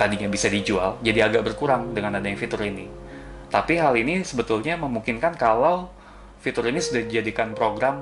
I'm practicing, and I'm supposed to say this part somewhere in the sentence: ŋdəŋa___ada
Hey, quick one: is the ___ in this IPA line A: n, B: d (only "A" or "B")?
A